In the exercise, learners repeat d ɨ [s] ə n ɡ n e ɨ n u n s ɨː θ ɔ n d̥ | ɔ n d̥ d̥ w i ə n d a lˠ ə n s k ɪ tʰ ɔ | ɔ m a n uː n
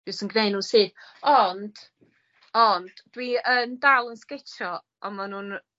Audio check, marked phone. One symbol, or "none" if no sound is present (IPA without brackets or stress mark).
s